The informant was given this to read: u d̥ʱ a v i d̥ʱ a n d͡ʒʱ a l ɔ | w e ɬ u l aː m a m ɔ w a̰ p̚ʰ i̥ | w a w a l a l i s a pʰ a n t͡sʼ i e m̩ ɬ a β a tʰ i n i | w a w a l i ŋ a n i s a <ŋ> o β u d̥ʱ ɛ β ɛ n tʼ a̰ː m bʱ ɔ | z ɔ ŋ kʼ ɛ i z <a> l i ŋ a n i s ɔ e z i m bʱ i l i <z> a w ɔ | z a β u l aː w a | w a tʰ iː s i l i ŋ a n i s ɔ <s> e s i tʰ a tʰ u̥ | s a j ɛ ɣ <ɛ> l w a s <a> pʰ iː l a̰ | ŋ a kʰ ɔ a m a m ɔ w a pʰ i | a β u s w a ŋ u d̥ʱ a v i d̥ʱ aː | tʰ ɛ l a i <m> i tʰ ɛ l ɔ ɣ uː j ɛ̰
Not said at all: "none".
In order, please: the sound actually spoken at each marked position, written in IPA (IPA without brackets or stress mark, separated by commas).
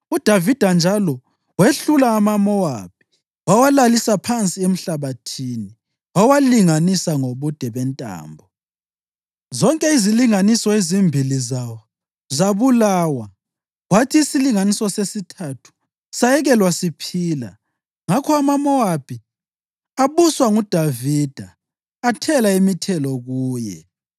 ŋ, i, z, s, ɛ, i, m